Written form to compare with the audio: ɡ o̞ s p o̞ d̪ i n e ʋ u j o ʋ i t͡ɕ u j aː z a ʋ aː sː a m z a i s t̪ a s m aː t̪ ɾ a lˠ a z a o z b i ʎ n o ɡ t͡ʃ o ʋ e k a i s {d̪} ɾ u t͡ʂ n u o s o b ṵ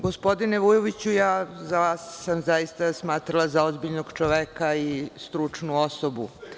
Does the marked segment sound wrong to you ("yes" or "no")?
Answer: yes